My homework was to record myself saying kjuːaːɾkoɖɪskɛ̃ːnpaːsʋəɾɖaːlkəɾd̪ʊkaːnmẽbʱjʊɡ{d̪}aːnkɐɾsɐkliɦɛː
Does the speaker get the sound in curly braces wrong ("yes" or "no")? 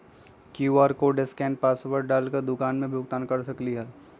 yes